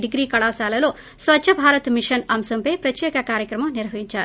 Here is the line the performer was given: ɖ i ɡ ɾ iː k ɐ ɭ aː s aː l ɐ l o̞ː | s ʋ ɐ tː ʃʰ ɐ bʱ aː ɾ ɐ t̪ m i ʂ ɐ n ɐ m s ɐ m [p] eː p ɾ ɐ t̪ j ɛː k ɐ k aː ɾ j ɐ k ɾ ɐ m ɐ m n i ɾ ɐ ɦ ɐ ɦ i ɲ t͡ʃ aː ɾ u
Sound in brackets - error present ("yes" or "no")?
no